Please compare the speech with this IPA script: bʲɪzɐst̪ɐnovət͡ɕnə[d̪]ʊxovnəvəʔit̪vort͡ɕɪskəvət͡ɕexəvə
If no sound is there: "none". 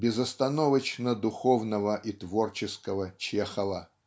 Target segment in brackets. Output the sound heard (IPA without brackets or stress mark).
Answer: d̪